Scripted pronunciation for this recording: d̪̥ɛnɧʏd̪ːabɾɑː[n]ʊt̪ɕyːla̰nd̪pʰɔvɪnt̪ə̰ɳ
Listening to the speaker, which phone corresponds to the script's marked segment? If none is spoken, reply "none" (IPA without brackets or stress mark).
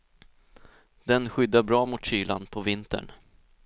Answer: m